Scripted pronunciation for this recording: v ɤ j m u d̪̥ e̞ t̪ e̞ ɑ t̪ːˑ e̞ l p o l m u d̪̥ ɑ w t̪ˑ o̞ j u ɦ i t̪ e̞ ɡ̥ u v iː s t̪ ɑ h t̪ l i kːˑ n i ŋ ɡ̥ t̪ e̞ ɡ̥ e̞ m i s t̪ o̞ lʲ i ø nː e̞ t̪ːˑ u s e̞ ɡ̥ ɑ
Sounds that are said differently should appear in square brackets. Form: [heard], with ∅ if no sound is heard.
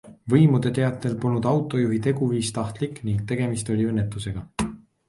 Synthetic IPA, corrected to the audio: v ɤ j m u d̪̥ e̞ t̪ e̞ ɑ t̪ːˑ e̞ l p o l [n] u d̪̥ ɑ w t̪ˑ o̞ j u ɦ i t̪ e̞ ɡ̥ u v iː s t̪ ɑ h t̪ l i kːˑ n i ŋ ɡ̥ t̪ e̞ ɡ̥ e̞ m i s t̪ o̞ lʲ i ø nː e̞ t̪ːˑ u s e̞ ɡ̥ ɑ